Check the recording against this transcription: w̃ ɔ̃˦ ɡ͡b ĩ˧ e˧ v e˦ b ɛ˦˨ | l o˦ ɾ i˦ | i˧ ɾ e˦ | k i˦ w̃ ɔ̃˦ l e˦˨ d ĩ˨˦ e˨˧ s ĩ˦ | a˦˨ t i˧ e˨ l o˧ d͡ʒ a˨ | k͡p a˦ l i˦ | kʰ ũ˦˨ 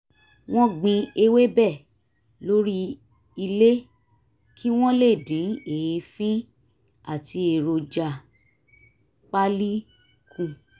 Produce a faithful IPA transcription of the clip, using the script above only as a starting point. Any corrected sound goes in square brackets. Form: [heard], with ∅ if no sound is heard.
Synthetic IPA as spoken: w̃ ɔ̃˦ ɡ͡b ĩ˧ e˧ [w] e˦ b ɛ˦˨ | l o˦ ɾ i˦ | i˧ [l] e˦ | k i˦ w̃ ɔ̃˦ l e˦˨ d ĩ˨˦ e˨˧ [f] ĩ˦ | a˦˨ t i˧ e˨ [ɾ] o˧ d͡ʒ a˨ | k͡p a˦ l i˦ | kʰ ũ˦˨